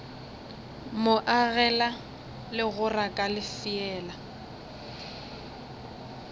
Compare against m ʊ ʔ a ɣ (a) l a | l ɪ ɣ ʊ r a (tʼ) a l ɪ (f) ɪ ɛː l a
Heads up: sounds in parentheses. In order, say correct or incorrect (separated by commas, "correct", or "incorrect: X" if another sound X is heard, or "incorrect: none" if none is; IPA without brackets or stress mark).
incorrect: ɛ, incorrect: kʼ, correct